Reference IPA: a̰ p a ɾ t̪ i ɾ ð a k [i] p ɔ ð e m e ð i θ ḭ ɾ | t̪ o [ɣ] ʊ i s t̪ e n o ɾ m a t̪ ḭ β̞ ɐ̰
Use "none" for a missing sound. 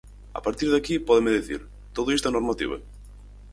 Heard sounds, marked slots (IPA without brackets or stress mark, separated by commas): i, ð